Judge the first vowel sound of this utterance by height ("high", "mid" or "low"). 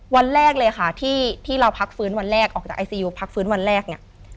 low